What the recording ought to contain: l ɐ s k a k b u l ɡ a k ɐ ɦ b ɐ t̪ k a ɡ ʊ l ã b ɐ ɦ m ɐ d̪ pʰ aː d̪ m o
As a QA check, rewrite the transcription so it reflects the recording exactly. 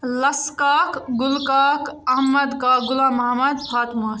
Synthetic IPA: l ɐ s k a k ɡ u l k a k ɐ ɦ m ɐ d̪ k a ɡ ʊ l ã m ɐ ɦ m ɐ d̪ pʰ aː t̪ m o